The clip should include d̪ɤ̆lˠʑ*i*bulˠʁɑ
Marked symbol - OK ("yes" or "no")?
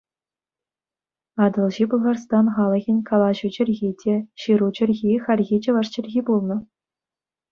yes